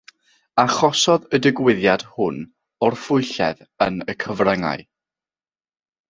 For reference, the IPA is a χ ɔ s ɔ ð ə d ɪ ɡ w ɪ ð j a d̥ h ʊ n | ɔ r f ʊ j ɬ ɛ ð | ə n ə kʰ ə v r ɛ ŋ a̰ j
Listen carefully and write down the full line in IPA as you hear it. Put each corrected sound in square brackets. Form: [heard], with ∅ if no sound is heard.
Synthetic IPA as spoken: a χ ɔ s ɔ ð ə d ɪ ɡ w ɪ ð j a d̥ h ʊ n | ɔ r f ʊ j ɬ ɛ ð | ə n ə kʰ ə v r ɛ ŋ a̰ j